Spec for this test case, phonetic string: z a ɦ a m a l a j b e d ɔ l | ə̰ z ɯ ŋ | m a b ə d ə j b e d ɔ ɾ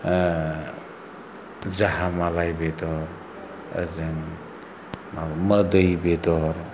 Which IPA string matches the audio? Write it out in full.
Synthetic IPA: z a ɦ a m a l a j b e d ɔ ɾ | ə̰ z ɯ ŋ | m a m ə d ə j b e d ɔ ɾ